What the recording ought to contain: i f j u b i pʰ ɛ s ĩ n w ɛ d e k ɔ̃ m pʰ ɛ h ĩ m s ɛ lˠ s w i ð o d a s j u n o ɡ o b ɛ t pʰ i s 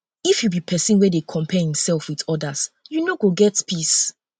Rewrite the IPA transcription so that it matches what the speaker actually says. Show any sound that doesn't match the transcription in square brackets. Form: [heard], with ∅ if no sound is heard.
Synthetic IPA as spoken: i f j u b i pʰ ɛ s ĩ n w ɛ d e [kʰ] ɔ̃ m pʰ ɛ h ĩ m s ɛ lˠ [f] w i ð [ɔ] d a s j u n o ɡ o [ɡ] ɛ t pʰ i s